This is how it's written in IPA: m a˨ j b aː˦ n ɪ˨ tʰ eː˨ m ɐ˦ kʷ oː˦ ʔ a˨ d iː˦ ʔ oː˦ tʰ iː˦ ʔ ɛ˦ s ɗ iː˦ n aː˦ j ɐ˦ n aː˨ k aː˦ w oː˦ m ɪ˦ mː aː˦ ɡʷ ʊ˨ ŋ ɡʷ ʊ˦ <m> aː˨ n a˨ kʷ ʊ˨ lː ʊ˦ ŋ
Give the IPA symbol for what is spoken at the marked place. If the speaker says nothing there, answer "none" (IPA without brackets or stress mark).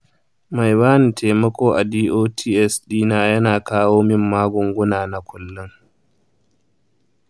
n